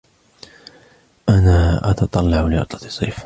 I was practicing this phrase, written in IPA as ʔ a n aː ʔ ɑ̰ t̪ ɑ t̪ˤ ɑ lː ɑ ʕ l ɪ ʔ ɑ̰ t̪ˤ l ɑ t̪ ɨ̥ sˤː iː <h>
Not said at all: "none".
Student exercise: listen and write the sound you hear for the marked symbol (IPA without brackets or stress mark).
f